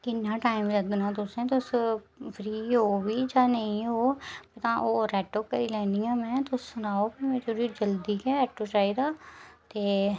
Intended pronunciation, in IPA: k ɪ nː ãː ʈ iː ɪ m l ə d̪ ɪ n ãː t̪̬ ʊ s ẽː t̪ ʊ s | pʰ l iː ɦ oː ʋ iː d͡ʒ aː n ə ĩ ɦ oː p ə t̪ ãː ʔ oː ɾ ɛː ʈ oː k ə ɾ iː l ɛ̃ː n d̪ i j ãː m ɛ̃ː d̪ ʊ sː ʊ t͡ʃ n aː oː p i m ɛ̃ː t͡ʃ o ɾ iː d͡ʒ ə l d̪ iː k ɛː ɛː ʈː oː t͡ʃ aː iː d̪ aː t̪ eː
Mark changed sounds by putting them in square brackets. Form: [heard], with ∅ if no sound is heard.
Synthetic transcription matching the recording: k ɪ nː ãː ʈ [aː] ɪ m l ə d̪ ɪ n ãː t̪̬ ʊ s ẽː t̪ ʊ s | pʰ [ɾ] iː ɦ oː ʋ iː d͡ʒ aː n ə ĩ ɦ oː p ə t̪ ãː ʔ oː ɾ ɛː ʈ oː k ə ɾ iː l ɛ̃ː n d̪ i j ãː m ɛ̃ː [t̪] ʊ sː ʊ [∅] n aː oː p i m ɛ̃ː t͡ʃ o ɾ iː d͡ʒ ə l d̪ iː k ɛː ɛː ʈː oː t͡ʃ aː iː d̪ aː t̪ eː